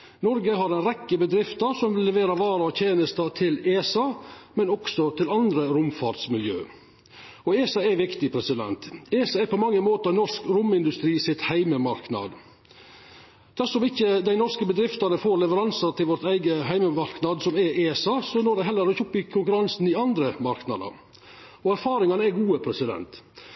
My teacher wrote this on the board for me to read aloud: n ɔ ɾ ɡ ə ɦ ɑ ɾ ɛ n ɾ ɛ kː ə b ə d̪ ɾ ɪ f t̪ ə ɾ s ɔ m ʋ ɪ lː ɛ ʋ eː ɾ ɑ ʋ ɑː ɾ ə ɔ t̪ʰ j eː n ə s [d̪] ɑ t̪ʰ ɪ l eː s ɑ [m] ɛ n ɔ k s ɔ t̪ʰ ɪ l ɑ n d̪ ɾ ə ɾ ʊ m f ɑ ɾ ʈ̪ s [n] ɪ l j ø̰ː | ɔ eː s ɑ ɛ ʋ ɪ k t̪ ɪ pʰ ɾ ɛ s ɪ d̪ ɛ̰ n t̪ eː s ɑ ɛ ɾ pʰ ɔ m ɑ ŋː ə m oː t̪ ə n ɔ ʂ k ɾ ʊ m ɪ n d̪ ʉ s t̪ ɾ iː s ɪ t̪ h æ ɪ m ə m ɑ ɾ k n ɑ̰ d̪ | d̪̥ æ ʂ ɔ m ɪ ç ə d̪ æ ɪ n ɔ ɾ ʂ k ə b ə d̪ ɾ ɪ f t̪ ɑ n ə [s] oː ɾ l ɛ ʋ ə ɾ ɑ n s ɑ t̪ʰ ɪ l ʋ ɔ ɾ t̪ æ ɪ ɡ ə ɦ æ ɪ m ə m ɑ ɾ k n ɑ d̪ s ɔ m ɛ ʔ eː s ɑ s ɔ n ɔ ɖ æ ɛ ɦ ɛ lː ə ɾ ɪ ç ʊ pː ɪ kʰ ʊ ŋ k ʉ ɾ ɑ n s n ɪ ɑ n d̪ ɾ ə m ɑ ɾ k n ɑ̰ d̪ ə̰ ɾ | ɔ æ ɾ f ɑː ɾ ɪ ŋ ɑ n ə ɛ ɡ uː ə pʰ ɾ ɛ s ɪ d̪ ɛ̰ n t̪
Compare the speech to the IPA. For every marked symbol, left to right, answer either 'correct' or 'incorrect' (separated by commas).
incorrect, correct, incorrect, incorrect